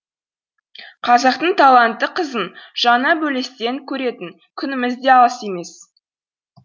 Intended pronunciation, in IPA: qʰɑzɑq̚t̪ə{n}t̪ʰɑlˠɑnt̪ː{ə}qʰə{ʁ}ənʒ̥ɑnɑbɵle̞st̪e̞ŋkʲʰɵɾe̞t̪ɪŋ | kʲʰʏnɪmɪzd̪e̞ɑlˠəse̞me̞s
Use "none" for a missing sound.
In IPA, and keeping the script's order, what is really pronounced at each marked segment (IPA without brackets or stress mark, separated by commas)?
ɴ, ə, z